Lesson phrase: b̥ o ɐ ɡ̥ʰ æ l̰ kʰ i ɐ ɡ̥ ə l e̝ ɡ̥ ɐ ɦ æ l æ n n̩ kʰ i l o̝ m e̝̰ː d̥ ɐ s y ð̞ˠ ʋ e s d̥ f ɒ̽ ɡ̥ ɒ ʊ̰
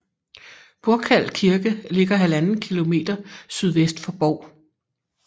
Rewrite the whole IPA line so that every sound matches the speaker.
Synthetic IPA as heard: b̥ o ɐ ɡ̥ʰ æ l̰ kʰ i ɐ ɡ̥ ə l e̝ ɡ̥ ɐ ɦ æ l æ n n̩ kʰ i l o̝ m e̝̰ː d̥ ɐ s y ð̞ˠ ʋ e s d̥ f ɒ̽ b̥ ɒ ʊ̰